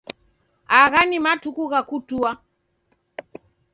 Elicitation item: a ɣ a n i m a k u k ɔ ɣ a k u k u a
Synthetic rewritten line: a ɣ a n i m a t u k u ɣ a k u t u a